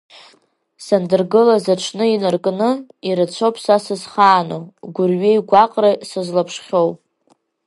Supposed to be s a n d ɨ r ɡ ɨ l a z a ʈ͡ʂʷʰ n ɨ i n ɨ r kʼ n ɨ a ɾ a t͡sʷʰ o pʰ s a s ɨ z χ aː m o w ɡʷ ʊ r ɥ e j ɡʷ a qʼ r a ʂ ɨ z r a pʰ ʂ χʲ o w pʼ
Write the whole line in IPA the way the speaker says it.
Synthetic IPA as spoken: s a n d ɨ r ɡ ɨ l a z a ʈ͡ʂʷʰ n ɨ i n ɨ r kʼ n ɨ i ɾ a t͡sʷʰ o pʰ s a s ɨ z χ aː n o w ɡʷ ʊ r ɥ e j ɡʷ a qʼ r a s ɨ z l a pʰ ʂ χʲ o w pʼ